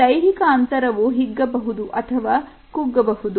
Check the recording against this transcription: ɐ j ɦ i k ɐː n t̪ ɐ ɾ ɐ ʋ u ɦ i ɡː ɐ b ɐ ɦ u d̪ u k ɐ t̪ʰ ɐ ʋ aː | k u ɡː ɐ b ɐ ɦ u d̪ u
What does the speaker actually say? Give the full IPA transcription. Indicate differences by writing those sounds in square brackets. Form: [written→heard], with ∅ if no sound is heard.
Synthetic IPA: ɐ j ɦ i k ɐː n t̪ ɐ ɾ ɐ ʋ u ɦ i ɡː ɐ b ɐ ɦ u d̪ u [k→ʔ] ɐ t̪ʰ ɐ ʋ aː | k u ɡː ɐ b ɐ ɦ u d̪ u

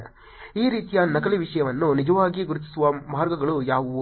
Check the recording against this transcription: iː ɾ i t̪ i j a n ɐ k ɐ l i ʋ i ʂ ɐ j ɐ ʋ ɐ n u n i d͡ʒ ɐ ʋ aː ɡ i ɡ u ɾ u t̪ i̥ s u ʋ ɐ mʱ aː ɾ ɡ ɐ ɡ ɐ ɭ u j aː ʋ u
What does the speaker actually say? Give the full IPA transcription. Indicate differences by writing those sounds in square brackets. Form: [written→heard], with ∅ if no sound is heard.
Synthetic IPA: iː ɾ [i→iː] t̪ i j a n ɐ k ɐ l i ʋ i ʂ ɐ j ɐ ʋ ɐ [n→nː] u n i d͡ʒ ɐ ʋ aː ɡ i ɡ u ɾ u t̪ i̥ s u ʋ ɐ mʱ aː ɾ ɡ ɐ ɡ ɐ ɭ u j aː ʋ u

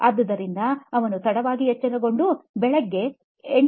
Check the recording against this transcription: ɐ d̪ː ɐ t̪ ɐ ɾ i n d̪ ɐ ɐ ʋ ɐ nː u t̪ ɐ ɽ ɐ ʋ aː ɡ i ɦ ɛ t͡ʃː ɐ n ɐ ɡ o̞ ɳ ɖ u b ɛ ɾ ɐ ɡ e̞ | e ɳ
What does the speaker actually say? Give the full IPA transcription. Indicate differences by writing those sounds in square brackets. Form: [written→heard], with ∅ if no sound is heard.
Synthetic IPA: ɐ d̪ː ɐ [t̪→d̪] ɐ ɾ i n d̪ ɐ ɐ ʋ ɐ [nː→n] u t̪ ɐ ɽ ɐ ʋ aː ɡ i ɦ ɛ t͡ʃː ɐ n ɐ ɡ o̞ ɳ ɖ u b ɛ [ɾ→ɭ] ɐ [ɡ→ɡː] e̞ | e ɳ

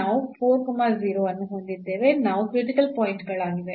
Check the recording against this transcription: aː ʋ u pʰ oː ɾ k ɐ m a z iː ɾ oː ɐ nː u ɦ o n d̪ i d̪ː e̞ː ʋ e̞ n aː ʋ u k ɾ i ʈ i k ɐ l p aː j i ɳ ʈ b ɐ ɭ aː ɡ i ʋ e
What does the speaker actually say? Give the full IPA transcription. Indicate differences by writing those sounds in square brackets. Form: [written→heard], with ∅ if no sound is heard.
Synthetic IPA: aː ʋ u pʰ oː ɾ k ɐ m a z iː ɾ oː ɐ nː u ɦ o n d̪ i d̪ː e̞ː ʋ e̞ n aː ʋ u k ɾ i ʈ i k ɐ l p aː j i ɳ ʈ [b→ɡ] ɐ ɭ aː ɡ i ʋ e

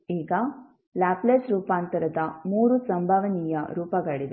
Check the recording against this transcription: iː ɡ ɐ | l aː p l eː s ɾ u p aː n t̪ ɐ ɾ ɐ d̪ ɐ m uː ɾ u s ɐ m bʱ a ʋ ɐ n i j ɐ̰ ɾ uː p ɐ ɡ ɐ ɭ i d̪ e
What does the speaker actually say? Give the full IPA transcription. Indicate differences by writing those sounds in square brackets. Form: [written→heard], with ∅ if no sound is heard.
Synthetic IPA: iː ɡ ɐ | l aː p l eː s ɾ [u→uː] p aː n t̪ ɐ ɾ ɐ d̪ ɐ m uː ɾ u s ɐ m bʱ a ʋ ɐ n i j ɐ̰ ɾ uː p ɐ ɡ ɐ ɭ i d̪ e

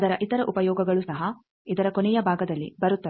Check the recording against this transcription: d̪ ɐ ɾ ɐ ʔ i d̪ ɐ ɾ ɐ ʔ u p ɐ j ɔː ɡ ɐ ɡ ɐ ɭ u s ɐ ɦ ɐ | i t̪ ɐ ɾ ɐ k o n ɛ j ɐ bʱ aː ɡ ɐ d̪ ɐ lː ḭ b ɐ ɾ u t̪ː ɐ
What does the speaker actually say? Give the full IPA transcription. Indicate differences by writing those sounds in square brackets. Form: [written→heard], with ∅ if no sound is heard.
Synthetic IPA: d̪ ɐ ɾ ɐ ʔ i [d̪→t̪] ɐ ɾ ɐ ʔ u p ɐ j ɔː ɡ ɐ ɡ ɐ ɭ u s ɐ ɦ ɐ | i [t̪→d̪] ɐ ɾ ɐ k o n ɛ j ɐ bʱ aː ɡ ɐ d̪ ɐ lː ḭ b ɐ ɾ u t̪ː ɐ

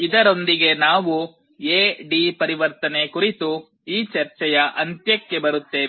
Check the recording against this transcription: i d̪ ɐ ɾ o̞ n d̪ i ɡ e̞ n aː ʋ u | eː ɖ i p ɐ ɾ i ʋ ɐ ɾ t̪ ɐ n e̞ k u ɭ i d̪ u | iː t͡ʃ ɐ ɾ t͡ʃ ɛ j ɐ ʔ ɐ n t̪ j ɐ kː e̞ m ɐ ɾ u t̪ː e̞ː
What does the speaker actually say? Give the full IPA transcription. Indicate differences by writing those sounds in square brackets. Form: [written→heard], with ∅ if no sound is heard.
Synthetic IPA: i d̪ ɐ ɾ o̞ n d̪ i ɡ e̞ n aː ʋ u | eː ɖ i p ɐ ɾ i ʋ ɐ ɾ t̪ ɐ n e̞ k u [ɭ→ɾ] i [d̪→t̪] u | iː t͡ʃ ɐ ɾ t͡ʃ ɛ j ɐ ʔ ɐ n t̪ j ɐ kː e̞ [m→b] ɐ ɾ u t̪ː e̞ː

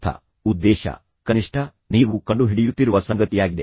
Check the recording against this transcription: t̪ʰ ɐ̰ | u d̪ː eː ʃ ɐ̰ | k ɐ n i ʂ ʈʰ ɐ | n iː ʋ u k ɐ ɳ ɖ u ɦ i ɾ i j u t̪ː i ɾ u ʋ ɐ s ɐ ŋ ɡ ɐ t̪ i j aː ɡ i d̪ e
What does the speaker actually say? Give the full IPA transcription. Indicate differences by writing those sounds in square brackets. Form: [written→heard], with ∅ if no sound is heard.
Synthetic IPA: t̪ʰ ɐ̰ | u d̪ː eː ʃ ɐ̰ | k ɐ n i ʂ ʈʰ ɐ | n iː ʋ u k ɐ ɳ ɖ u ɦ i [ɾ→ɽ] i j u t̪ː i ɾ u ʋ ɐ s ɐ ŋ ɡ ɐ t̪ i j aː ɡ i d̪ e

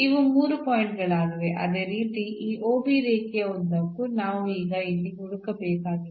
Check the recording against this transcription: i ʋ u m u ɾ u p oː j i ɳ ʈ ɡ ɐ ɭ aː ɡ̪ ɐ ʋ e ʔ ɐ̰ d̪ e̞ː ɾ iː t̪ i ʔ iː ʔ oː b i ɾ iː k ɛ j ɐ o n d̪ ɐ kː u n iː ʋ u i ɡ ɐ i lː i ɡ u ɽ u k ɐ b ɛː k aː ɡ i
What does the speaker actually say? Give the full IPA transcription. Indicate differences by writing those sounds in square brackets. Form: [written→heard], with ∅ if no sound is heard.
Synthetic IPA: i ʋ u m [u→uː] ɾ u p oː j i ɳ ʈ ɡ ɐ ɭ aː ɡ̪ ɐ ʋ e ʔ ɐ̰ d̪ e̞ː ɾ iː t̪ i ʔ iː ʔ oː b i ɾ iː k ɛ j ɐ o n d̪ ɐ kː u n [iː→aː] ʋ u [i→iː] ɡ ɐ i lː i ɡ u ɽ u k ɐ b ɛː k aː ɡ i

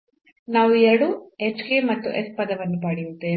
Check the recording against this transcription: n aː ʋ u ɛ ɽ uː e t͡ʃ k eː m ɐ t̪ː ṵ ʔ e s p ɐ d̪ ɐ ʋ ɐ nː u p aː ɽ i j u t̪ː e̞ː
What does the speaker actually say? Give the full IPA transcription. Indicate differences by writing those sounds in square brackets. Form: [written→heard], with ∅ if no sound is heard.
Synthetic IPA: n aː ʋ u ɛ ɽ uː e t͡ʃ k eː m ɐ t̪ː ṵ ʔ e s p ɐ d̪ ɐ ʋ ɐ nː u p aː ɽ i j u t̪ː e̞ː

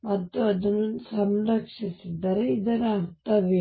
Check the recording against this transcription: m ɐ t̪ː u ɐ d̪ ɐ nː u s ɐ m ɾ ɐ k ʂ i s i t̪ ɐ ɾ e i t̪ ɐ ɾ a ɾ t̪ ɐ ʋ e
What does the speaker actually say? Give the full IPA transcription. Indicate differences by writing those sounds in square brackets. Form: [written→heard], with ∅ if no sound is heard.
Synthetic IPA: m ɐ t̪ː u ɐ d̪ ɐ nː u s ɐ m ɾ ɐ k ʂ i s i [t̪→d̪] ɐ ɾ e i [t̪→d̪] ɐ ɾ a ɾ t̪ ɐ ʋ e

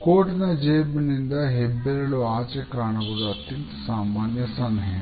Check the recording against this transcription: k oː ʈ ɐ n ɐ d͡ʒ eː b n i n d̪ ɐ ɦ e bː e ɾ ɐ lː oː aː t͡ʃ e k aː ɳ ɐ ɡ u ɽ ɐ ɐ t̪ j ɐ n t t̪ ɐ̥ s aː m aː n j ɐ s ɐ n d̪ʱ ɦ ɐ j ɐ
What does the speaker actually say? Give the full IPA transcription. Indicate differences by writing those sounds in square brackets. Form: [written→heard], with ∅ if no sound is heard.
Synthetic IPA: k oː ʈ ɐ n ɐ d͡ʒ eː b n i n d̪ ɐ ɦ e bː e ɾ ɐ [lː→l] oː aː t͡ʃ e k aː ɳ ɐ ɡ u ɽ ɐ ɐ t̪ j ɐ n t t̪ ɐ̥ s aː m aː n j ɐ s ɐ n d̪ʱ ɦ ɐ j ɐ

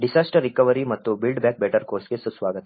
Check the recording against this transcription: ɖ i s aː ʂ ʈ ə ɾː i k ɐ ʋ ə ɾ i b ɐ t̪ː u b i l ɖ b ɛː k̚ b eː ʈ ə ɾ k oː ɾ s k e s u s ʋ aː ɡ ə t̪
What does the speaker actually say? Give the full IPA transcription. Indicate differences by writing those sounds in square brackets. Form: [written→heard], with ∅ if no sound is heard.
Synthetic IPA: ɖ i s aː [ʂ→s] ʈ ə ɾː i k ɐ ʋ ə ɾ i [b→m] ɐ t̪ː u b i l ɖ b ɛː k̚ b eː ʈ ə ɾ k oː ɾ s k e s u s ʋ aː ɡ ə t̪

